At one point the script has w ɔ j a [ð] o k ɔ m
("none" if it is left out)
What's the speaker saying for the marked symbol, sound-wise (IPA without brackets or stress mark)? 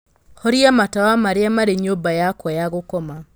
ɣ